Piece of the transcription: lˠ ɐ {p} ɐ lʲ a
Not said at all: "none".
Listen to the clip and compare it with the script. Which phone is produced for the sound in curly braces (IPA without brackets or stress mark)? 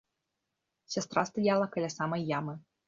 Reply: k